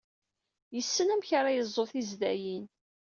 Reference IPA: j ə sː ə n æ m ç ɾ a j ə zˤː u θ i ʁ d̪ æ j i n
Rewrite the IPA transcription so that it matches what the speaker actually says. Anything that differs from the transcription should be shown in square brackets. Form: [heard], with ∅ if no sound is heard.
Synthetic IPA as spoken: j ə sː ə n æ m ç ɾ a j ə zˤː [o] θ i [z] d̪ æ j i n